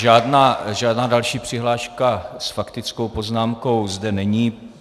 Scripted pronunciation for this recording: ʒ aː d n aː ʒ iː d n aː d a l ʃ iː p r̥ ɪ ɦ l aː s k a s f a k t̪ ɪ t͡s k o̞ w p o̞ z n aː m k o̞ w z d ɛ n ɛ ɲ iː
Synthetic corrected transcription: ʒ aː d n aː ʒ aː d n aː d a l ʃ iː p r̥ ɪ ɦ l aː ʃ k a s f a k t̪ ɪ t͡s k o̞ w p o̞ z n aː m k o̞ w z d ɛ n ɛ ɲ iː